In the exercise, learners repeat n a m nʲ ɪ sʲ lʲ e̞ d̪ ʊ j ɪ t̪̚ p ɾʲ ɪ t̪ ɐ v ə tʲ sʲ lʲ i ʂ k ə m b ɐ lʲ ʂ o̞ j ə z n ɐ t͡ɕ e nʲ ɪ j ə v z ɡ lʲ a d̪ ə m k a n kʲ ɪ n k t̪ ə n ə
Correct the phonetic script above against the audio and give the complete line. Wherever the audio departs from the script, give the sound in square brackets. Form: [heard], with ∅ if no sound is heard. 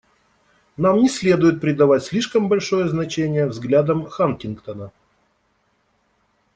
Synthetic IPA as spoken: n a m nʲ ɪ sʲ lʲ e̞ d̪ ʊ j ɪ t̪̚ p ɾʲ ɪ [d̪] ɐ v [a] tʲ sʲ lʲ i ʂ k ə m b ɐ lʲ ʂ o̞ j ə z n ɐ t͡ɕ e nʲ ɪ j ə v z ɡ lʲ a d̪ ə m [x] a n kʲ ɪ n k t̪ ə n ə